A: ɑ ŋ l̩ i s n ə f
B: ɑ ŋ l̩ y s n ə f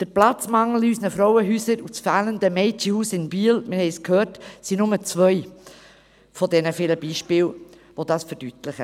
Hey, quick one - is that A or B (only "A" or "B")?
B